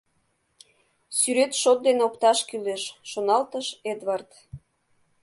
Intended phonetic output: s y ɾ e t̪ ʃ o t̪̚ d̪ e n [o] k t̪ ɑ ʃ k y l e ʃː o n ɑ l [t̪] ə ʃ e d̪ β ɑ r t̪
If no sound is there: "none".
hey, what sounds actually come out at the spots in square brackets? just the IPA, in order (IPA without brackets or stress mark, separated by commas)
o, t̪